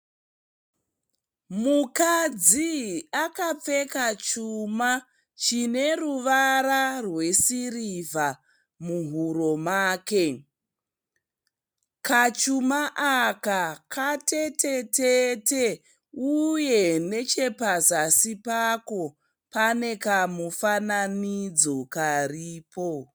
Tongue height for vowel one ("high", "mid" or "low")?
high